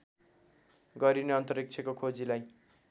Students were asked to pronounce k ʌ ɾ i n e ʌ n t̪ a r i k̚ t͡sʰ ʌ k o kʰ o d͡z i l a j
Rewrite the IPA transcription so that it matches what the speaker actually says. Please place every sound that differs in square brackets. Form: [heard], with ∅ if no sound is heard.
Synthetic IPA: [ɡ] ʌ ɾ i n e ʌ n t̪ [ʌ] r i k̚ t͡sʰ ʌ k o kʰ o d͡z i l a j